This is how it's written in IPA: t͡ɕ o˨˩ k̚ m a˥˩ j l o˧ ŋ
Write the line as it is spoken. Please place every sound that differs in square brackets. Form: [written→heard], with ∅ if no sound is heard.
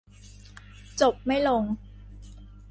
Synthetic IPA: t͡ɕ o˨˩ [k̚→p̚] m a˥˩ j l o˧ ŋ